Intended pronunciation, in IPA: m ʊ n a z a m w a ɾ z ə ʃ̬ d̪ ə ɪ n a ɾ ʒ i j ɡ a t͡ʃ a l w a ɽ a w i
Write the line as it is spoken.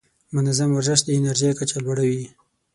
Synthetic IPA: m ʊ n a z a m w a ɾ z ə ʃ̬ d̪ ə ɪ n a ɾ ʒ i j k a t͡ʃ a l w a ɽ a w i